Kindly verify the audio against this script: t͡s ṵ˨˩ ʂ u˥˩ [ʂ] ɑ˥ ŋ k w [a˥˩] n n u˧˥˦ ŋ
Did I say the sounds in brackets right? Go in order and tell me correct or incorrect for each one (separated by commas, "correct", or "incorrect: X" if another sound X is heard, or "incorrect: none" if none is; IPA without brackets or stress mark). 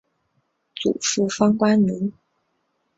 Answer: incorrect: f, incorrect: a˥